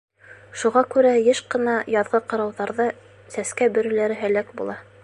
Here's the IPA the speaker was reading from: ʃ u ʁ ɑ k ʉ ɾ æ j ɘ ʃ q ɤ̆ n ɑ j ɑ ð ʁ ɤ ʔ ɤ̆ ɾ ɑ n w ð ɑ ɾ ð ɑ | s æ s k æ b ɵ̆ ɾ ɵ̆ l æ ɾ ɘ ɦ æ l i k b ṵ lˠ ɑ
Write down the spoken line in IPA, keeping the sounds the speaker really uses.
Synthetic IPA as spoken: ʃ u ʁ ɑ k ʉ ɾ æ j ɘ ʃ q ɤ̆ n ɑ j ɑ ð ʁ ɤ q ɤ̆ ɾ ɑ w ð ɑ ɾ ð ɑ | s æ s k æ b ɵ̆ ɾ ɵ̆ l æ ɾ ɘ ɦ æ l æ k b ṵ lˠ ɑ